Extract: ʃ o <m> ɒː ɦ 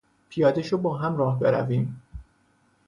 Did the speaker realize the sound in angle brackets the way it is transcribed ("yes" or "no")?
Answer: no